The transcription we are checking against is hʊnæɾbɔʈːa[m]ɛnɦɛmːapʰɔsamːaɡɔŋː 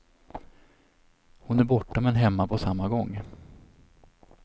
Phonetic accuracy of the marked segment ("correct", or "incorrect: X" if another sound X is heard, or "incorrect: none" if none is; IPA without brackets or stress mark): correct